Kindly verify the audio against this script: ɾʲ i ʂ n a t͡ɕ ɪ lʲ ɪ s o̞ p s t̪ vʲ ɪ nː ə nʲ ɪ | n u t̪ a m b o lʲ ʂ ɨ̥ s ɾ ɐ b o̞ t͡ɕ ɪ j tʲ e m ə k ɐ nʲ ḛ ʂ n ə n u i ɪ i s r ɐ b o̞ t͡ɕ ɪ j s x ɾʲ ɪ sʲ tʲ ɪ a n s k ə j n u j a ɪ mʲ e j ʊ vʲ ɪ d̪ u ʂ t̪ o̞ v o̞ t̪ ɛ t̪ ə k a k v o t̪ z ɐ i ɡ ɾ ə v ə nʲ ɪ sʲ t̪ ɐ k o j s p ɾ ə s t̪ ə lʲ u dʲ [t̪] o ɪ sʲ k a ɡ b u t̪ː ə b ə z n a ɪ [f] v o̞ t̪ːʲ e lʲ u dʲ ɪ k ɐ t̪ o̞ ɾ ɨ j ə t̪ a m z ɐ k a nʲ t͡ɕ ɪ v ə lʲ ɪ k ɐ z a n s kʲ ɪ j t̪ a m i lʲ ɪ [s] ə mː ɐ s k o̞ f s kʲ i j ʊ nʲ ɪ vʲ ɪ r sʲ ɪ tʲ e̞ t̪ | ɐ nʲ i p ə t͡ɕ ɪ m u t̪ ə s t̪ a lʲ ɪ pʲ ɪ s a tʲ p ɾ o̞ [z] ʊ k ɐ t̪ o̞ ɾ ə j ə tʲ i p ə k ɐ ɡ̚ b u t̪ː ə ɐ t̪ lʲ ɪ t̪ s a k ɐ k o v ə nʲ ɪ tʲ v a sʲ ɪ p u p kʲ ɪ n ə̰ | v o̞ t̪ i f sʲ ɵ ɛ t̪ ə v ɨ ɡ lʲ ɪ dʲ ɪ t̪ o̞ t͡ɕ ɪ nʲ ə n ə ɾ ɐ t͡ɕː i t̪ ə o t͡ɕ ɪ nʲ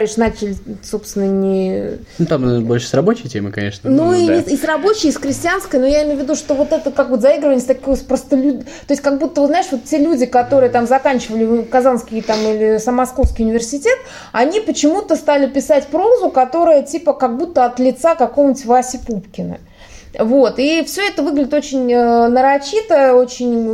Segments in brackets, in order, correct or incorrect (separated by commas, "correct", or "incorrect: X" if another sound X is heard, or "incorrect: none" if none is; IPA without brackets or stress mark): correct, incorrect: ʂ, correct, correct